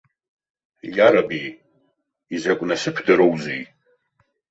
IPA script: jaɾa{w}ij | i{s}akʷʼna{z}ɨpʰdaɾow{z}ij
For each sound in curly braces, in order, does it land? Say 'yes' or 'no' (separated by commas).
no, no, no, yes